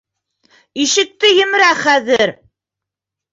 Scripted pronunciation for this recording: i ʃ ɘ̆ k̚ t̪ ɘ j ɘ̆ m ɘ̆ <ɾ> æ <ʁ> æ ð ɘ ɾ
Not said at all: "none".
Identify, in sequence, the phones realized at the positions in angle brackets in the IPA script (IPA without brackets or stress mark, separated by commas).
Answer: ɾ, χ